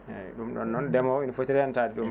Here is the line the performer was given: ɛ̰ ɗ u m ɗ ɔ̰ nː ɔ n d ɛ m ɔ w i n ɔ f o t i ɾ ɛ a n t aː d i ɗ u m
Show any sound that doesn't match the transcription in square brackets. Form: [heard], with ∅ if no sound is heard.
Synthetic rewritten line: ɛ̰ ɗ u m ɗ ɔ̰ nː ɔ n d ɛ m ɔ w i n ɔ f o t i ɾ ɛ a n t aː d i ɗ u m